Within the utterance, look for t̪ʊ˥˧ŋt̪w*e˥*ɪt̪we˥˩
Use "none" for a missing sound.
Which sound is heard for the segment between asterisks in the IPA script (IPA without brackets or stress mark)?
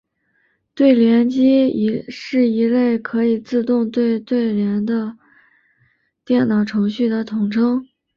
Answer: e˥˧